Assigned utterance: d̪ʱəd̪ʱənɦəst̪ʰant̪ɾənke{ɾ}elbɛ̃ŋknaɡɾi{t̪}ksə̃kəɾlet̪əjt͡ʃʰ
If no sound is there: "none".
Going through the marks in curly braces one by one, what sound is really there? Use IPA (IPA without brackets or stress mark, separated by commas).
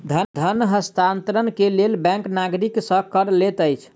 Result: l, none